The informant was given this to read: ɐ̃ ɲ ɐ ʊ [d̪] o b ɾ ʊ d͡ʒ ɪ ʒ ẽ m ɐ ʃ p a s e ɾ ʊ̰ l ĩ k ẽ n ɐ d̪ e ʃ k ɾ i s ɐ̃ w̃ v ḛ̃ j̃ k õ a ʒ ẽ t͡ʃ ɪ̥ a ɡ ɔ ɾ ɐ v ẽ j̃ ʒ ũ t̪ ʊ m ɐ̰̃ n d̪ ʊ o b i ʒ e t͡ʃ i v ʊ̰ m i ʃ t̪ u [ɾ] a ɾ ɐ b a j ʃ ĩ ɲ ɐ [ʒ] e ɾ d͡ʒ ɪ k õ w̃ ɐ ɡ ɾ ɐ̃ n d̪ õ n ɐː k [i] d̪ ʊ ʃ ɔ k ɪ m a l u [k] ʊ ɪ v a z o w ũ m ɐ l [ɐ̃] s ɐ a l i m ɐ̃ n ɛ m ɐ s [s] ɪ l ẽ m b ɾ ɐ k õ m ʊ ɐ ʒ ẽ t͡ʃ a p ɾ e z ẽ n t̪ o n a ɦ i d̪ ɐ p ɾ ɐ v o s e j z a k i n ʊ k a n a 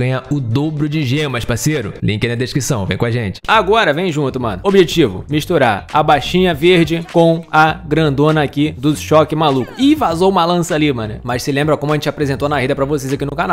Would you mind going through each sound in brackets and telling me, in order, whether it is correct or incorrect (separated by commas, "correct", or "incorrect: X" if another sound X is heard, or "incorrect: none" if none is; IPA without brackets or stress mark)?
correct, correct, incorrect: v, correct, correct, correct, correct